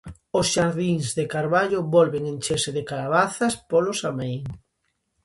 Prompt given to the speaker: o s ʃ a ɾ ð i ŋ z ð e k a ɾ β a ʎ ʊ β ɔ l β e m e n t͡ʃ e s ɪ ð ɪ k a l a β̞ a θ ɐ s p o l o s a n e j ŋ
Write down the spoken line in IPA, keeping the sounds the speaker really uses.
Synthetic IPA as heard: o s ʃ a ɾ ð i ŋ z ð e k a ɾ β a ʎ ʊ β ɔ l β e ŋ e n t͡ʃ e s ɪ ð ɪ k a l a β̞ a θ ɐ s p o l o s a m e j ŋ